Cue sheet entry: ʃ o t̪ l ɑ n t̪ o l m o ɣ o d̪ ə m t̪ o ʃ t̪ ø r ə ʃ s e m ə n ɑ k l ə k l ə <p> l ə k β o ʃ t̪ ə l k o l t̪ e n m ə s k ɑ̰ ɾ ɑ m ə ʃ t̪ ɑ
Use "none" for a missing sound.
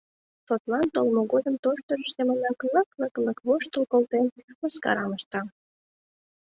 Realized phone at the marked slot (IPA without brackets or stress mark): k